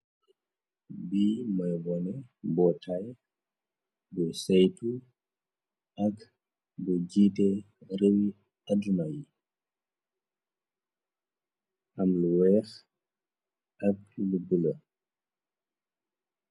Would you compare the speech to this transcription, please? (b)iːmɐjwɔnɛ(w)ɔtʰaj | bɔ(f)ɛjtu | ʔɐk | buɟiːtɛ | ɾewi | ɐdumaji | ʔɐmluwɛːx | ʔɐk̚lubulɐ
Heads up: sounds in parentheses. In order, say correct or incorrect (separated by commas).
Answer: correct, incorrect, incorrect